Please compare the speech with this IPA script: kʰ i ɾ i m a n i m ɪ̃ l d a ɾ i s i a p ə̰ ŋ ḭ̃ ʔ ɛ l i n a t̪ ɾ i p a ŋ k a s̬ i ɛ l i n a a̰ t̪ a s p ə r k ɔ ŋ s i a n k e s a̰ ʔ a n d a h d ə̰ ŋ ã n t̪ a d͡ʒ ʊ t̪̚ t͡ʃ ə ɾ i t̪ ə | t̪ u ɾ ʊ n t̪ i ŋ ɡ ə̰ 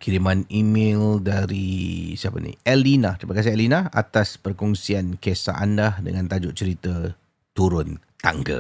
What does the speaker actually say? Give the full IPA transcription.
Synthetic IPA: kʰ i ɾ i m a n i m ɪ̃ l d a ɾ i s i a p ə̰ n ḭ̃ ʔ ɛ l i n a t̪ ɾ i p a k a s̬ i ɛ l i n a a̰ t̪ a s p ə r k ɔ ŋ s i a n k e s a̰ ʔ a n d a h d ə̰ ŋ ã n t̪ a d͡ʒ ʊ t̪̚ t͡ʃ ə ɾ i t̪ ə | t̪ u ɾ ʊ n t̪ a ŋ ɡ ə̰